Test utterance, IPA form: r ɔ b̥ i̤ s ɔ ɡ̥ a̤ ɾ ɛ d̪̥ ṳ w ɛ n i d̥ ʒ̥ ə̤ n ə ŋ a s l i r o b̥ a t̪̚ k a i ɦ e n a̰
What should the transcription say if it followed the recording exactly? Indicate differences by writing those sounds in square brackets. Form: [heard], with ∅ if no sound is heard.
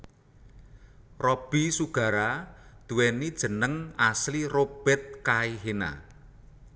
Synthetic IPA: r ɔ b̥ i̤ s [u] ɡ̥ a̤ ɾ [a] d̪̥ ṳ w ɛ n i d̥ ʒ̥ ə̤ n ə ŋ a s l i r o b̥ [ɛ] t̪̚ k a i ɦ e n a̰